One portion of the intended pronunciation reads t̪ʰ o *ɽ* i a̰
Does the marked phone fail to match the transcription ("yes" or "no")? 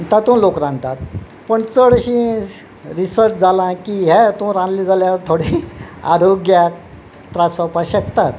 no